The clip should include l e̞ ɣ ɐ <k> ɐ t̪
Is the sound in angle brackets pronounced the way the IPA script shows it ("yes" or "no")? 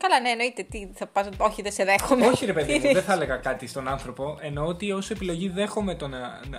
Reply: yes